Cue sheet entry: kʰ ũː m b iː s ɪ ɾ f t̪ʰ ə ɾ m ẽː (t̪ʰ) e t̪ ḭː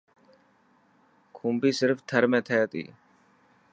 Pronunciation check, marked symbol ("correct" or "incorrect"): correct